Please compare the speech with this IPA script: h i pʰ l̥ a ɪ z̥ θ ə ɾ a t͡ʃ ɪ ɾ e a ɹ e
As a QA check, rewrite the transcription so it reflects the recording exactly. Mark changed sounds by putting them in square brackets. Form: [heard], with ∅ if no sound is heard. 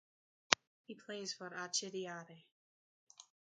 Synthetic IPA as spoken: h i pʰ l̥ [e] ɪ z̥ [f] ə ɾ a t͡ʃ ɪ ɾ [i] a [ɾ] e